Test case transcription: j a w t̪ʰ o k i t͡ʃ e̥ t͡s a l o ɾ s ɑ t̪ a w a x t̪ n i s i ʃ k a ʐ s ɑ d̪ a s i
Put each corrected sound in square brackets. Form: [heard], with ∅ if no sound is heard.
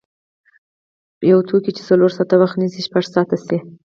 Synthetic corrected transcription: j a w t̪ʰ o k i t͡ʃ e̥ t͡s a l o ɾ s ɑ t̪ a w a x t̪ n i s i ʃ [p] a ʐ s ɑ [t̪] a s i